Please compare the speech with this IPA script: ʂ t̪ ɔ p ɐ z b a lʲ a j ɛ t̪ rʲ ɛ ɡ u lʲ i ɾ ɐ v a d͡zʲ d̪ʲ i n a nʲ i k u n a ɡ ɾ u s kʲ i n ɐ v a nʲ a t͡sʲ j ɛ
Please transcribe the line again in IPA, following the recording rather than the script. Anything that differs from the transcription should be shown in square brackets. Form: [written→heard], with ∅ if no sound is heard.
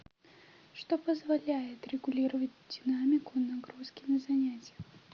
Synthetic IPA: ʂ t̪ ɔ p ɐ z [b→v] a lʲ a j ɛ t̪ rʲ ɛ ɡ u lʲ i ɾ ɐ v [a→ɐ] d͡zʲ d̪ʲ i n a [nʲ→mʲ] i k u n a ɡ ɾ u s kʲ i n ɐ [v→z] a nʲ a t͡sʲ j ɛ